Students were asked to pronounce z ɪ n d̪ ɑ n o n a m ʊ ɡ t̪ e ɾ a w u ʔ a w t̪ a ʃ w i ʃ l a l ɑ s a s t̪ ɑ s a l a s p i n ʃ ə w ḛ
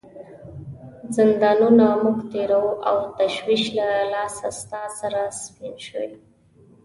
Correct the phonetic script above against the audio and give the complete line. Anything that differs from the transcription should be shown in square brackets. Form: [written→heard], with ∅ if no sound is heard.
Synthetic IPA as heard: z ɪ n d̪ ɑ n [o→u] n a m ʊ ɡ t̪ e ɾ a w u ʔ a w t̪ a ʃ w i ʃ l a l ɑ s a s t̪ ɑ s a [l→ɾ] a s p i n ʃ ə w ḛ